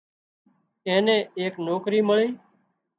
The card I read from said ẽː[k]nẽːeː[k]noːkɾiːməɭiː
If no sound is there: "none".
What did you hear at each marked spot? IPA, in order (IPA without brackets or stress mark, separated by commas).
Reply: none, k